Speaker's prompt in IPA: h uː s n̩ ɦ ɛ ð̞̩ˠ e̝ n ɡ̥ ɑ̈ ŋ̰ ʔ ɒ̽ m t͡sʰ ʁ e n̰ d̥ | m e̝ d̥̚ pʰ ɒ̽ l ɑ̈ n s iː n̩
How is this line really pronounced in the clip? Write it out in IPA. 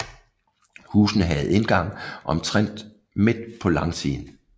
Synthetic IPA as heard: h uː s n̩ ɦ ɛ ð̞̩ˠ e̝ n ɡ̥ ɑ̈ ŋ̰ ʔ ɒ̽ m t͡sʰ ʁ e n̰ d̥ | m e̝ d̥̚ pʰ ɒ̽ l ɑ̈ ŋ s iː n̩